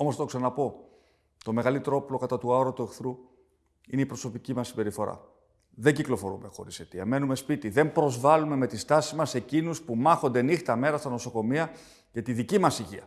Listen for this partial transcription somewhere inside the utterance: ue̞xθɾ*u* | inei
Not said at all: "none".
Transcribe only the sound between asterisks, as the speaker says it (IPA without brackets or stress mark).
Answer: u